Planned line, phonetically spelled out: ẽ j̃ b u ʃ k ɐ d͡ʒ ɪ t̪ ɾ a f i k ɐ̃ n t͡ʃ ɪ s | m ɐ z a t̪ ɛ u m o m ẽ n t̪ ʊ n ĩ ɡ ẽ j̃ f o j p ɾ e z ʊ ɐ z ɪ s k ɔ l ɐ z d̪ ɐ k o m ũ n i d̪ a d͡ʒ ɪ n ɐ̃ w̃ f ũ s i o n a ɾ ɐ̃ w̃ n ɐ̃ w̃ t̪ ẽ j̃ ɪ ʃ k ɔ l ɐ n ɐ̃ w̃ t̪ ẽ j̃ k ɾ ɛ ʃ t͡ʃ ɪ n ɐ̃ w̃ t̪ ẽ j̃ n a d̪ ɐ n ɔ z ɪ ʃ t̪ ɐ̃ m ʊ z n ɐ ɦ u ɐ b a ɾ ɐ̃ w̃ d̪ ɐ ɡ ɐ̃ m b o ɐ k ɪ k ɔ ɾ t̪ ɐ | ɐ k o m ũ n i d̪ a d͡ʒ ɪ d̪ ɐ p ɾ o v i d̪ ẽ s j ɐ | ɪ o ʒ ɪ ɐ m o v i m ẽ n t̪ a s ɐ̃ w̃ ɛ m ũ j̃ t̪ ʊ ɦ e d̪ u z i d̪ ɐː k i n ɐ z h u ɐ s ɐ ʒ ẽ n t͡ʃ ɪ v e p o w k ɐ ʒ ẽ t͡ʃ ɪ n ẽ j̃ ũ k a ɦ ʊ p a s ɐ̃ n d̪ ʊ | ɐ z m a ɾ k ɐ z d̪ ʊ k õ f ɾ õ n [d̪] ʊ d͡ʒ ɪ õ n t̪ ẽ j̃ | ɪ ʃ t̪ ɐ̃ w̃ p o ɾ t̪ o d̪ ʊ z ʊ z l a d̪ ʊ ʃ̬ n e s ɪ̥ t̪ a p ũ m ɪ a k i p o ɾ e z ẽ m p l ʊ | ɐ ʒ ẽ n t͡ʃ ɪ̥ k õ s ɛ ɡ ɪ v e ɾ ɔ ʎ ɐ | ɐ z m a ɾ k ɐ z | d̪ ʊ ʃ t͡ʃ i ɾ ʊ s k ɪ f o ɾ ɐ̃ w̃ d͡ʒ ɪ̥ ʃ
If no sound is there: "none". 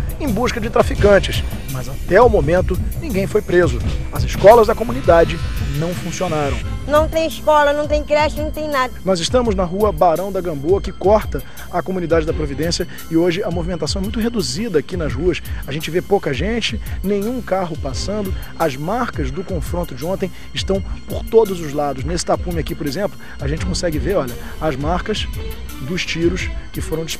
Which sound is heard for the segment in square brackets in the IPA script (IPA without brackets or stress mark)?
t̪